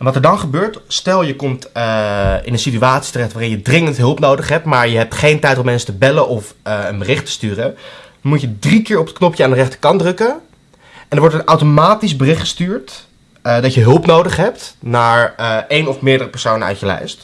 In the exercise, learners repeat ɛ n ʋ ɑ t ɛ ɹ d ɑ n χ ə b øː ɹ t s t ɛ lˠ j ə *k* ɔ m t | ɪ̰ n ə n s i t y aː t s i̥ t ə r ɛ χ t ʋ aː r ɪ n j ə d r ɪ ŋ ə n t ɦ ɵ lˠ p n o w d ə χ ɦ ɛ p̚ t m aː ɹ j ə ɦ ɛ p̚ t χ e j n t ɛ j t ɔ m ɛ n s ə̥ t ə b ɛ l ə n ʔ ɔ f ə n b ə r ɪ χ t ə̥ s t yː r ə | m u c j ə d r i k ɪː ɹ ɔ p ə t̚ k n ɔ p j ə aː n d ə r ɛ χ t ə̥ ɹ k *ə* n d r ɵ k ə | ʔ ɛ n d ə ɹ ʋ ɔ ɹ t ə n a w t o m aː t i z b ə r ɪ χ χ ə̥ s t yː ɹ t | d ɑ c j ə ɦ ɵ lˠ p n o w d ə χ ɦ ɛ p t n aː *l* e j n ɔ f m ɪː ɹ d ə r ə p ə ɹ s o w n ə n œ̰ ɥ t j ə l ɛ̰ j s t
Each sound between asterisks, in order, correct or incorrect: correct, incorrect, incorrect

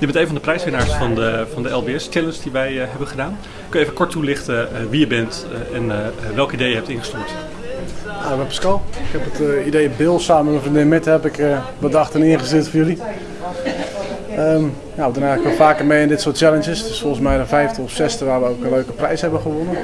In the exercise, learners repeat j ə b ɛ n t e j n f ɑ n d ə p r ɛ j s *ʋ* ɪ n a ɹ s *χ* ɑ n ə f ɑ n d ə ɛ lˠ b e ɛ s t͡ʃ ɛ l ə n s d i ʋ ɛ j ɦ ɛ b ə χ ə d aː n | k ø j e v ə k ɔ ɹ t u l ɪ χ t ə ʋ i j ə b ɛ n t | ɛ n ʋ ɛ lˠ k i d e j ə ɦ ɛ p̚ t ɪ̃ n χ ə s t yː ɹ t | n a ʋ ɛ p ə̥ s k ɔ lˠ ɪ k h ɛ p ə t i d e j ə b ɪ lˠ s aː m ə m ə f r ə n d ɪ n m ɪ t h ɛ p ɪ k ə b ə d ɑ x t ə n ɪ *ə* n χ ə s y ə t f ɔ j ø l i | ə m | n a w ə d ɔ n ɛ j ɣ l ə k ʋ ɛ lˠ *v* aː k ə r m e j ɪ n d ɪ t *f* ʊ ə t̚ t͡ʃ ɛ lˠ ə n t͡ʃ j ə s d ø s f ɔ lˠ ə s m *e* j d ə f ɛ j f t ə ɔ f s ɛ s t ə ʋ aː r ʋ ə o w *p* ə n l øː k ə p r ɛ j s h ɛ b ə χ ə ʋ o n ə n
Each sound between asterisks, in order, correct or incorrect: correct, incorrect, correct, incorrect, incorrect, incorrect, incorrect

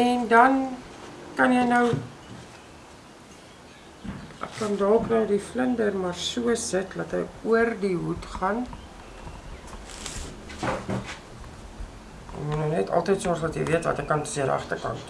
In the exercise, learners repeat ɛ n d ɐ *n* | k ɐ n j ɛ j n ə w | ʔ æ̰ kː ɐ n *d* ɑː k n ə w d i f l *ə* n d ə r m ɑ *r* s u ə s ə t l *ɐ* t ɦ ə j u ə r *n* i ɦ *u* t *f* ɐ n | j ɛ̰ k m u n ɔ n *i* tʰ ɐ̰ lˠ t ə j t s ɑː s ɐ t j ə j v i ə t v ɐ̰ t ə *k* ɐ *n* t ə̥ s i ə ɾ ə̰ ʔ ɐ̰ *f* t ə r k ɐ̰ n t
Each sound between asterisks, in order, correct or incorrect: correct, correct, correct, correct, correct, incorrect, correct, incorrect, incorrect, correct, correct, incorrect

